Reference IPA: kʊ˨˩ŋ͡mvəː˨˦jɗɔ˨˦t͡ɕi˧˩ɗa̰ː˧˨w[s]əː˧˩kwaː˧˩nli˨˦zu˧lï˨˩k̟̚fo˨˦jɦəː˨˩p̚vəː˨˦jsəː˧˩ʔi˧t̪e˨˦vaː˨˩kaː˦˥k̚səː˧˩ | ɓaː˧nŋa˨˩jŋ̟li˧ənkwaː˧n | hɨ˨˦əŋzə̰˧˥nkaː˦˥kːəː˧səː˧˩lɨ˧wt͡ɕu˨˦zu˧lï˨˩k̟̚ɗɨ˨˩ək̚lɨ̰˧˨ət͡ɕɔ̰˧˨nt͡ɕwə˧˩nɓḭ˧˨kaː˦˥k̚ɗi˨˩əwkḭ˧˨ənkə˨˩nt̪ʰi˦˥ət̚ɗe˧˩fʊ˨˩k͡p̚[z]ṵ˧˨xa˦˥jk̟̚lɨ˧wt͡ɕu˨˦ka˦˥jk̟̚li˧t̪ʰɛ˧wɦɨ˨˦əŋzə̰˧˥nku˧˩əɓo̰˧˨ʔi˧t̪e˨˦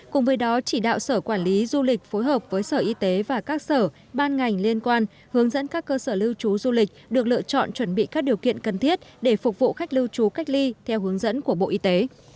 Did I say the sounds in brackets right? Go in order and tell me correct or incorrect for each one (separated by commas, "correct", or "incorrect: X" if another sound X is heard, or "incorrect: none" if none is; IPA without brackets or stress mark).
correct, incorrect: v